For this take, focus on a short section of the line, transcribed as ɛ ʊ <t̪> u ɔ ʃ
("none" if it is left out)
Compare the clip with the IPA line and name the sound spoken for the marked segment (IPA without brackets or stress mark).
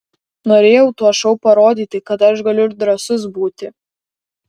t̪